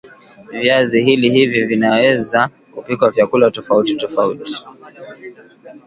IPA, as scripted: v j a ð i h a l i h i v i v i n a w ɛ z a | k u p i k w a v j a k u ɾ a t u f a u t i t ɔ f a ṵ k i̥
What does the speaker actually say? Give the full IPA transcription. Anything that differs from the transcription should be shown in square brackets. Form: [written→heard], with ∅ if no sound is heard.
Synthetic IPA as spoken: v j a [ð→z] i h [a→i] l i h i v i v i n a w ɛ z a | k u p i k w a v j a k u [ɾ→l] a t [u→ɔ] f a u t i t ɔ f a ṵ [k→t] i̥